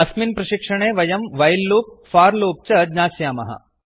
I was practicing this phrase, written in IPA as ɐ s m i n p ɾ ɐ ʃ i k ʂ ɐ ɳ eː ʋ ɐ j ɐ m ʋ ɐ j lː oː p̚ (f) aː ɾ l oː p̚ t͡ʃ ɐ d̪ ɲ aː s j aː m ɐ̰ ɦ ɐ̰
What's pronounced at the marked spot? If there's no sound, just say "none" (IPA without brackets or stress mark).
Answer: f